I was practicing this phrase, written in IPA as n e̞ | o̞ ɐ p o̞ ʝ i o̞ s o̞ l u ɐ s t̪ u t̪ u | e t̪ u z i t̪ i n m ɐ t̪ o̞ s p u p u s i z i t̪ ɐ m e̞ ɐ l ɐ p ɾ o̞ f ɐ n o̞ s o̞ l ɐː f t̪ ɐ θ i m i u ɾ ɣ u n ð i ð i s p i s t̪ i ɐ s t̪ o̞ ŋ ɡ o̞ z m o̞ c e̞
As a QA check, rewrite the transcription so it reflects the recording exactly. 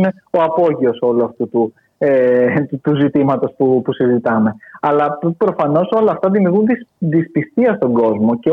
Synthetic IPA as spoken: n e̞ | o̞ ɐ p o̞ ʝ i o̞ s o̞ l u ɐ f t̪ u t̪ u | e t̪ u z i t̪ i m ɐ t̪ o̞ s p u p u s i z i t̪ ɐ m e̞ ɐ l ɐ p ɾ o̞ f ɐ n o̞ s o̞ l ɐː f t̪ ɐ ð i m i u ɾ ɣ u n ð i ð i s p i s t̪ i ɐ s t̪ o̞ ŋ ɡ o̞ z m o̞ c e̞